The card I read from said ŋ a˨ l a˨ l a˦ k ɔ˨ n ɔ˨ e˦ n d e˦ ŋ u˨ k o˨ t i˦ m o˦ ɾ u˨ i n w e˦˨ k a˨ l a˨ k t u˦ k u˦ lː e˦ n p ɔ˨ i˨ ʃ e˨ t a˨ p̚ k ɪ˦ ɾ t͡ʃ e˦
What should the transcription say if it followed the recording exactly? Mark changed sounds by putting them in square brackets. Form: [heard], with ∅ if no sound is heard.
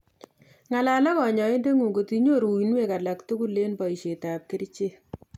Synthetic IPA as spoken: ŋ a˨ l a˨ l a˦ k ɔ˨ [ɲ] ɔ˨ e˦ n d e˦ ŋ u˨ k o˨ t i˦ [ɲ] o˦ ɾ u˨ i n w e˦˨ k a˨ l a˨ k t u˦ k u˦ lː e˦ n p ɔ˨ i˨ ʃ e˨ t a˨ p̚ k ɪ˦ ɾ t͡ʃ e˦